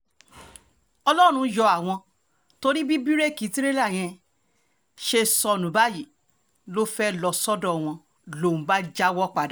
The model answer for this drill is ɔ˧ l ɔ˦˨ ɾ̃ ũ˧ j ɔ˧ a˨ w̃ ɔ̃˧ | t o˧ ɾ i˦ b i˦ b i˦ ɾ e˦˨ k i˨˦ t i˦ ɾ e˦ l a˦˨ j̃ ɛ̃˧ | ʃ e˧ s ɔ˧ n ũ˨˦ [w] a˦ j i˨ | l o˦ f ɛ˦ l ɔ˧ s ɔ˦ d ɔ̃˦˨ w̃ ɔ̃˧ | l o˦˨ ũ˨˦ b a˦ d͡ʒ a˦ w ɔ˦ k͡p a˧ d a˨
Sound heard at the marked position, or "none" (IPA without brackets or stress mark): b